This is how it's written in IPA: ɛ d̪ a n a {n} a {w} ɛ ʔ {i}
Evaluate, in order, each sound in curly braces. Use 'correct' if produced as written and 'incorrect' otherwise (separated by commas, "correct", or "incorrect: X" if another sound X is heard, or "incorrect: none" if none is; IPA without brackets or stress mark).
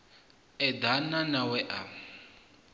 correct, correct, incorrect: a